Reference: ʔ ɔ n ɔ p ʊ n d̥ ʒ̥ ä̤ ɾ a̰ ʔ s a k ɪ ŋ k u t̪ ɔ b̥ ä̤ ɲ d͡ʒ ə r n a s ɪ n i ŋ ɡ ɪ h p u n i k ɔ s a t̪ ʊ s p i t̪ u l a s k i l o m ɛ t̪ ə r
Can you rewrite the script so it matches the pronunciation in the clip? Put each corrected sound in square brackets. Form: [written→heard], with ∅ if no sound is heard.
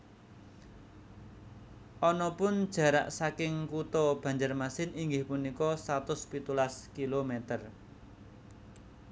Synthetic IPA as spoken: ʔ ɔ n ɔ p ʊ n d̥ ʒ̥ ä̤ ɾ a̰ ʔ s a k ɪ ŋ k u t̪ ɔ b̥ ä̤ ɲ d͡ʒ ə r [n→m] a s ɪ n i ŋ ɡ ɪ h p u n i k ɔ s a t̪ ʊ s p i t̪ u l a s k i l o m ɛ t̪ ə r